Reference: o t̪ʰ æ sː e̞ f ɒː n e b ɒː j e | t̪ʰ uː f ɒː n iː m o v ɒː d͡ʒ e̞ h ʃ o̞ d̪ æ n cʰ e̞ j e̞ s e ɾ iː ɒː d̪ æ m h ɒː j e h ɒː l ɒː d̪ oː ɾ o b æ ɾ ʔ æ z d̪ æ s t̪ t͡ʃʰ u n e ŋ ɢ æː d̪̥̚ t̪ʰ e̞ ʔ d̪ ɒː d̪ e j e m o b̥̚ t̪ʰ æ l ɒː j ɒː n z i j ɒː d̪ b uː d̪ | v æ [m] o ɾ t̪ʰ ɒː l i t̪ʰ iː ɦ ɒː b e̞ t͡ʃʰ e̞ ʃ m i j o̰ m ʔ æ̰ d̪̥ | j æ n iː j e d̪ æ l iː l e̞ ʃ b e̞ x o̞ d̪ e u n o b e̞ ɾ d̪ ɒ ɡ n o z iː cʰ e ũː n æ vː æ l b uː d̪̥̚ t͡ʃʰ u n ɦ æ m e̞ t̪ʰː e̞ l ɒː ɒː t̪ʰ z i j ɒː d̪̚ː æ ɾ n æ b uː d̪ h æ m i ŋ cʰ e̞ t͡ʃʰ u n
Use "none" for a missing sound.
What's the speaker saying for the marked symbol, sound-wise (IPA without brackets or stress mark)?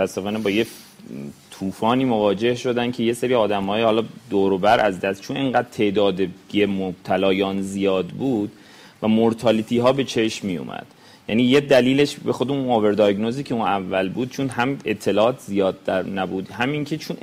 m